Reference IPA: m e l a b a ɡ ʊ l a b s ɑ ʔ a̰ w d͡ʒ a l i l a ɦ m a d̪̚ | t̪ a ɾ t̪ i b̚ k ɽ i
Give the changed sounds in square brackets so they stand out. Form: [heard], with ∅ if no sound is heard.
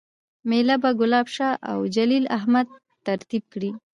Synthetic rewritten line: m e l a b a ɡ ʊ l [ɑ] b [ʃ] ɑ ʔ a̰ w d͡ʒ a l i l a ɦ m a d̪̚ | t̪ a ɾ t̪ i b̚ k ɽ i